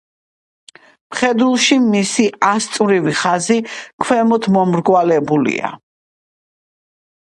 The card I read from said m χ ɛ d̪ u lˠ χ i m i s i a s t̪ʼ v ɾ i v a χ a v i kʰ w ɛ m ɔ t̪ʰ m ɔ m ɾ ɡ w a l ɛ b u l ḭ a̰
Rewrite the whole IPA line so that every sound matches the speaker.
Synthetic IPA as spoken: m χ ɛ d̪ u lˠ ʃ i m i s i a s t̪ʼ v ɾ i v i χ a z i kʰ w ɛ m ɔ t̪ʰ m ɔ m ɾ ɡ w a l ɛ b u l ḭ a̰